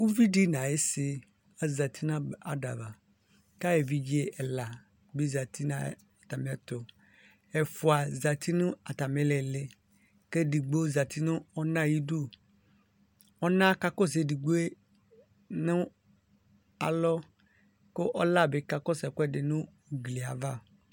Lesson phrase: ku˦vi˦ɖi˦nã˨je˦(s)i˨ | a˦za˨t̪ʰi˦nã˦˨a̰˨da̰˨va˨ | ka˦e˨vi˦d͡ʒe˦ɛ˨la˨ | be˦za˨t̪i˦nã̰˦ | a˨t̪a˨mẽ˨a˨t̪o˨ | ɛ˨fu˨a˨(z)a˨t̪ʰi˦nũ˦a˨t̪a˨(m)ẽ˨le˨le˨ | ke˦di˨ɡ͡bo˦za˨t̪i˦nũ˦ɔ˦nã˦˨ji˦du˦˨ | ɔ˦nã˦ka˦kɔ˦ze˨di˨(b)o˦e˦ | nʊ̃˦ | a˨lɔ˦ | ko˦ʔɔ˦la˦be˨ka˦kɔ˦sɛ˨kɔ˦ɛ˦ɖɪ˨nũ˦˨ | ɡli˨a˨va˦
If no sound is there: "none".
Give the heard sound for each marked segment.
s, z, m, ɡ͡b

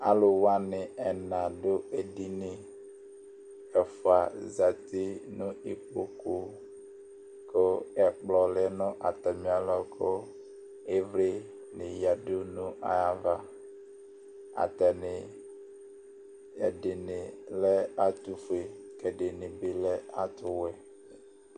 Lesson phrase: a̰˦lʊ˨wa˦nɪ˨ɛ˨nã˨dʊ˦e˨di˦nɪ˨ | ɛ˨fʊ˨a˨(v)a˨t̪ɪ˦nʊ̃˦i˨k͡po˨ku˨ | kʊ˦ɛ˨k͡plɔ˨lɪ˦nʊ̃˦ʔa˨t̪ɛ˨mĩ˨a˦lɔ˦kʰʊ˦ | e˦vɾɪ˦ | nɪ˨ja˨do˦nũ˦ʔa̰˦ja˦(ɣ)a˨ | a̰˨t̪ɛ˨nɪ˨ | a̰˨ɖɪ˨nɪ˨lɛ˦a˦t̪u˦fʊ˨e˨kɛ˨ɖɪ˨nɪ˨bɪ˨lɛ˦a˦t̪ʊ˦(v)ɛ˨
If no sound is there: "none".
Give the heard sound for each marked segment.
z, v, w

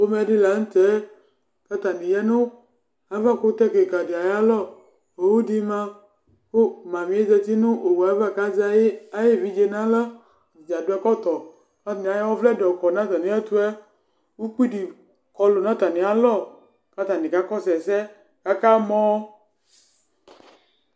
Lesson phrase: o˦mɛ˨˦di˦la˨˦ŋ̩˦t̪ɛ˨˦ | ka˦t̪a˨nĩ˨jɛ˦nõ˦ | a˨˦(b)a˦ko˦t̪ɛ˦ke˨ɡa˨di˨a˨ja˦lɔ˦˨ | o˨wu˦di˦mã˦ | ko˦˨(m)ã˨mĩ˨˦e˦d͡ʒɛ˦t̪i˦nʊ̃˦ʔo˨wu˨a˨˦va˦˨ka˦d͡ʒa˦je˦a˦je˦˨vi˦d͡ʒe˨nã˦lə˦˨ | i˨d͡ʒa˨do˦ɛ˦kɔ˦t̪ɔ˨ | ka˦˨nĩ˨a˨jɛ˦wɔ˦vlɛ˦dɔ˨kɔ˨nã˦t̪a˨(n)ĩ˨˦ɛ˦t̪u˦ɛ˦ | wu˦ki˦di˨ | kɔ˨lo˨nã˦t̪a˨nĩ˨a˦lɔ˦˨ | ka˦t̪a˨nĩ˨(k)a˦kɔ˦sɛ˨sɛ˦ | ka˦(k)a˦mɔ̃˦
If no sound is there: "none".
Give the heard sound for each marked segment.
v, m, n, k, k

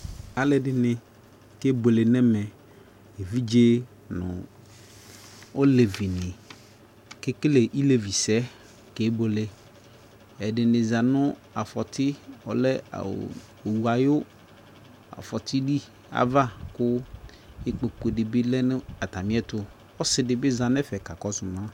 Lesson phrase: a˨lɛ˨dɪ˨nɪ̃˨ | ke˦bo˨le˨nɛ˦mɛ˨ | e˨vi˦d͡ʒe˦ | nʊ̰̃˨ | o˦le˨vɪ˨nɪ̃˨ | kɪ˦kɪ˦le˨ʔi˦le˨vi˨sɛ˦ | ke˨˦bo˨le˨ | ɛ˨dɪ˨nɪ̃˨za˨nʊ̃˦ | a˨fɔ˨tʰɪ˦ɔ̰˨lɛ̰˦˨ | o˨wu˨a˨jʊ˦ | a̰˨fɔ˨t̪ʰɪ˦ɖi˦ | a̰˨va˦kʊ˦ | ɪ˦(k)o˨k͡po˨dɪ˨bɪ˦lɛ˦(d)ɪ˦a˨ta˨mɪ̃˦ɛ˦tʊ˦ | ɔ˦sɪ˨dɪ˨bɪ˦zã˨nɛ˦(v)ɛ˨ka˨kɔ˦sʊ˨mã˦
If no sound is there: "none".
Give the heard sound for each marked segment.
k͡p, n, f

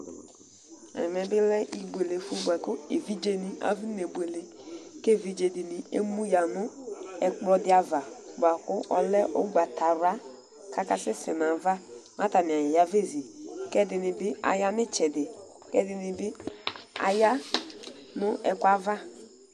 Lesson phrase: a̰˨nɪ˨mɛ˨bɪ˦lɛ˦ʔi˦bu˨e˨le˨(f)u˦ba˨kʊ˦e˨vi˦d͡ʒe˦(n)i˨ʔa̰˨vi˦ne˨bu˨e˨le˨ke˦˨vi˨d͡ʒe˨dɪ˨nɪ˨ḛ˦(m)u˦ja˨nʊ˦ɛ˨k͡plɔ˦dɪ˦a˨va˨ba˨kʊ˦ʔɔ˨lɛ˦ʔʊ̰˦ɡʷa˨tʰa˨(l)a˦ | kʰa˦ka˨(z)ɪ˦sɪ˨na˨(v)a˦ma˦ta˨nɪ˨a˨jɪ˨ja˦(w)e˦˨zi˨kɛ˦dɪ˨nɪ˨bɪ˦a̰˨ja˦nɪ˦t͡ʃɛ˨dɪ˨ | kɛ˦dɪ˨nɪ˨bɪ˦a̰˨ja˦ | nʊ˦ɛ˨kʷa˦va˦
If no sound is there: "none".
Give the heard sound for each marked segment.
f, n, m, ɾ, s, v, v

